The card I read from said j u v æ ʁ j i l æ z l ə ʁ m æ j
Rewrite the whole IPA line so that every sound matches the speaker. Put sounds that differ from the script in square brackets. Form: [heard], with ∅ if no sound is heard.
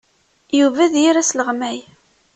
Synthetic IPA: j u v æ [ð] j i [ɾ] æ [s] l ə ʁ m æ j